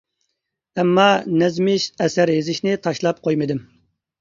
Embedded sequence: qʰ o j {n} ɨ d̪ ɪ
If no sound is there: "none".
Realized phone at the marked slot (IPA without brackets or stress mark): m